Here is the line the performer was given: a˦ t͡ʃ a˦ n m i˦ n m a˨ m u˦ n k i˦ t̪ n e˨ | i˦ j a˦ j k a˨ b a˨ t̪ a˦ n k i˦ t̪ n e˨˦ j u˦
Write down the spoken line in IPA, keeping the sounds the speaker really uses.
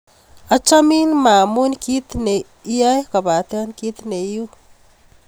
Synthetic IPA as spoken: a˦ t͡ʃ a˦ m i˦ n m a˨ m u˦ n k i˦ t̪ n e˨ | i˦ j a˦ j k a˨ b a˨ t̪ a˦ n k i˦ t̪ n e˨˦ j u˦